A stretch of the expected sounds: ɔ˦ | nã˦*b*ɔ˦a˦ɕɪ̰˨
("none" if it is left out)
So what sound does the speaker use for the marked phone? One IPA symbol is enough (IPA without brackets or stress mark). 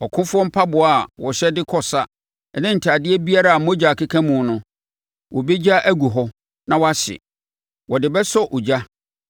w